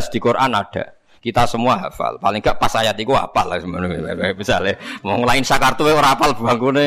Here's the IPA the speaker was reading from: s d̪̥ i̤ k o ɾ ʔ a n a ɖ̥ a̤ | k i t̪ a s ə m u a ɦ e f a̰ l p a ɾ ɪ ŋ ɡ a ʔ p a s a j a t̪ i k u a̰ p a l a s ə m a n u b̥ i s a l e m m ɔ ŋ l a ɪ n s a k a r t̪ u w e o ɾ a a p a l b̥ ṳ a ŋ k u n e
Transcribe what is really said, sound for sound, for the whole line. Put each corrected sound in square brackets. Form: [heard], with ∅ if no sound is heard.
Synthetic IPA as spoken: s d̪̥ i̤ k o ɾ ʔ a n a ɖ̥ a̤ | k i t̪ a s ə m u a ɦ [a] f a̰ l p a [l] ɪ ŋ ɡ a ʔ p a s a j a t̪ i k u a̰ p a l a s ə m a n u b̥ i s a l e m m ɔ ŋ l a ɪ n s a k a r t̪ u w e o ɾ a a p a l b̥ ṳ a ŋ k u n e